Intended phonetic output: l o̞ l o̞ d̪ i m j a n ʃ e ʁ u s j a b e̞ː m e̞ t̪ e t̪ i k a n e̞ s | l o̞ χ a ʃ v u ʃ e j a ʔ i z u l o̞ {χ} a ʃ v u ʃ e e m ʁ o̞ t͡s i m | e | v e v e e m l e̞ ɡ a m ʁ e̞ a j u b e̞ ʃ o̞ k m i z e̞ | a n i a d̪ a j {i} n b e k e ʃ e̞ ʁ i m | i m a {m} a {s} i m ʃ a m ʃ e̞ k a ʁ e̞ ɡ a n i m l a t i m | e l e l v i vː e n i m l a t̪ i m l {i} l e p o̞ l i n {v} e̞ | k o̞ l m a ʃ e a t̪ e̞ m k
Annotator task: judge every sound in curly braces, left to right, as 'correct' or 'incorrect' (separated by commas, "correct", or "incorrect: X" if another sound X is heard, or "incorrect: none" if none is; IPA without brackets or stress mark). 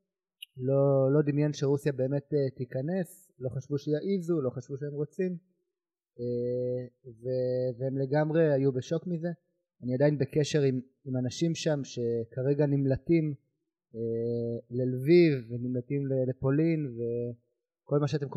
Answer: correct, correct, incorrect: n, incorrect: ʃ, incorrect: e, correct